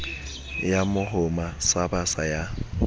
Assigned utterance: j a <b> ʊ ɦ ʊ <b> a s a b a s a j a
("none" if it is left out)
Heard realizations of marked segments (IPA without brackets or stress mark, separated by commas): m, m